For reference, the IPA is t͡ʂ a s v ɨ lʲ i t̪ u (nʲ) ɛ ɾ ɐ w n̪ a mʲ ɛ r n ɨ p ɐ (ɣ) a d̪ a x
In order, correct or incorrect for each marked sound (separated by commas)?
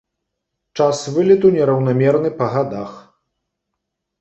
correct, correct